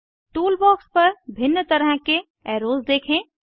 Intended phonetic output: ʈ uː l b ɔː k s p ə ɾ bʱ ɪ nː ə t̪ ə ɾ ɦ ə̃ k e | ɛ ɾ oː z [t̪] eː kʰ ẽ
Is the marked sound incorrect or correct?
incorrect